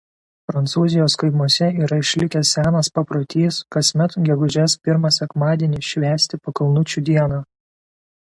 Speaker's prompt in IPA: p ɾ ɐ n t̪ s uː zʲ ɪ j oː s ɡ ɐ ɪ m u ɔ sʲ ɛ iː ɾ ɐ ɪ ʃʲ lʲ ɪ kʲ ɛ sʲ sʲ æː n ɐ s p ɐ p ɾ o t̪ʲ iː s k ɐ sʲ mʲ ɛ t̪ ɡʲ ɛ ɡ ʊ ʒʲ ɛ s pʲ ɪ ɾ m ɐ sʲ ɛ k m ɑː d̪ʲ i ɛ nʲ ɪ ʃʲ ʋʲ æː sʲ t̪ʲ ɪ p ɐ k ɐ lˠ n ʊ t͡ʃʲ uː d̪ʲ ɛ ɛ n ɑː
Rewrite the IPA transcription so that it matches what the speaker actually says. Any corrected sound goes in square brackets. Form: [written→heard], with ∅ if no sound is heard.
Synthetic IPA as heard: p ɾ ɐ n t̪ s uː zʲ ɪ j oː s [ɡ→k] ɐ ɪ m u ɔ sʲ ɛ iː ɾ ɐ ɪ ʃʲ lʲ ɪ kʲ ɛ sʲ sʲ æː n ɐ s p ɐ p ɾ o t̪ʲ iː s k ɐ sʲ mʲ ɛ t̪ ɡʲ ɛ ɡ ʊ ʒʲ ɛ s pʲ ɪ ɾ m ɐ sʲ ɛ k m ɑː d̪ʲ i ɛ nʲ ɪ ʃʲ ʋʲ æː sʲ t̪ʲ ɪ p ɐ k ɐ lˠ n ʊ t͡ʃʲ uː d̪ʲ [ɛ→i] ɛ n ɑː